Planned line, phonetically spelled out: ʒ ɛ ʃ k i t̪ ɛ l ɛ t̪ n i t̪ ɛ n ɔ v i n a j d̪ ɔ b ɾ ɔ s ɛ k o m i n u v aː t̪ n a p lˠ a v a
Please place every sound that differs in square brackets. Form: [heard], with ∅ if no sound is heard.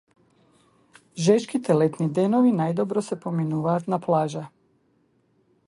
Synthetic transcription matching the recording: ʒ ɛ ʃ k i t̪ ɛ l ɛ t̪ n i [d̪] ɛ n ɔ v i n a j d̪ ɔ b ɾ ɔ s ɛ [p] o m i n u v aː t̪ n a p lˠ a [ʒ] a